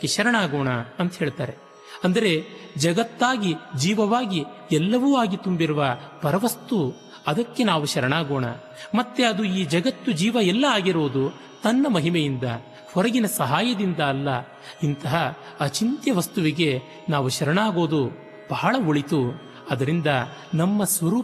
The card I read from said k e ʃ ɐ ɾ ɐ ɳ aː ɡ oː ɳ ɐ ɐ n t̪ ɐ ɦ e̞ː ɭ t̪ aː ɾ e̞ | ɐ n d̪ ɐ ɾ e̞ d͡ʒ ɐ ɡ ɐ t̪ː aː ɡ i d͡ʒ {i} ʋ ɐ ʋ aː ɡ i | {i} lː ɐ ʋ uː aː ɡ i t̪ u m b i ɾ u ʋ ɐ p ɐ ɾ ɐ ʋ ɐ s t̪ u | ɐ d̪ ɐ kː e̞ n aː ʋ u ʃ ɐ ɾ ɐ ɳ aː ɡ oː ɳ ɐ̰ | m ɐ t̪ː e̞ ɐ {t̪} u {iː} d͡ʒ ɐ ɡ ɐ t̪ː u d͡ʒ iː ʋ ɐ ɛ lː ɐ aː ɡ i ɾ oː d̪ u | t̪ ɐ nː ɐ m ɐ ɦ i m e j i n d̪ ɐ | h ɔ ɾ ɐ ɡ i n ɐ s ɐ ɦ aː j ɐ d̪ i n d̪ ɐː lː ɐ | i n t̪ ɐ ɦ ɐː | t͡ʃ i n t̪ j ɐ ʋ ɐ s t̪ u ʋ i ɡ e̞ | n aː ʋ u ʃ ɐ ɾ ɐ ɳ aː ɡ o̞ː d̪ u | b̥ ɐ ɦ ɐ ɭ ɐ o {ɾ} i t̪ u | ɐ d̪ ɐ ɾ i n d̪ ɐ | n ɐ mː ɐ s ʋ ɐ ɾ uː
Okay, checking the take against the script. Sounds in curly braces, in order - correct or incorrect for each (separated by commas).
incorrect, incorrect, incorrect, correct, incorrect